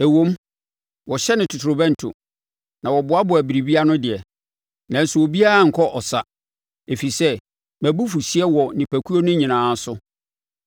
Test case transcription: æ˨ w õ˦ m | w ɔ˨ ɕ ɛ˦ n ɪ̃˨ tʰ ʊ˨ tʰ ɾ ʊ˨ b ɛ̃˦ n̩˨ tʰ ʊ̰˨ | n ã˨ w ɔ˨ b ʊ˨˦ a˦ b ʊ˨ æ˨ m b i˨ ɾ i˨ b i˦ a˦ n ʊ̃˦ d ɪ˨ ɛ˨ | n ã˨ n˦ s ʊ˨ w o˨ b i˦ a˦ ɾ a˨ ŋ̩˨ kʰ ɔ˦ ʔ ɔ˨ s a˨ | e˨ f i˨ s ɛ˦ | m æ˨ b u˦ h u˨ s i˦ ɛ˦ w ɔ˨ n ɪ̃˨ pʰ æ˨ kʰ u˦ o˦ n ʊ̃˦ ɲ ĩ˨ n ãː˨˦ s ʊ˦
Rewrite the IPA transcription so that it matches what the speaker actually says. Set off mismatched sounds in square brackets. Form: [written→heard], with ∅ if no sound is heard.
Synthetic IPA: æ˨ w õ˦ m | w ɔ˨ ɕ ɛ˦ n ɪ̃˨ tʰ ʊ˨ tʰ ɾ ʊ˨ b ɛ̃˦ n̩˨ tʰ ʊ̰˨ | n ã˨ w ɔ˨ b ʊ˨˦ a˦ b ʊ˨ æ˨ [m→∅] b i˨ ɾ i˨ b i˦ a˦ n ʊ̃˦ d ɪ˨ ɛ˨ | n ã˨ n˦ s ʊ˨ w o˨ b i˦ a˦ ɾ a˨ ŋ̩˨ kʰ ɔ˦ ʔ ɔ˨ s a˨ | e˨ f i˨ s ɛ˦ | m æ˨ b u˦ [h→f] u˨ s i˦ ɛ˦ w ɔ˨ n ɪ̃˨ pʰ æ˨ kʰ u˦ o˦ n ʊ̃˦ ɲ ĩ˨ n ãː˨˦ s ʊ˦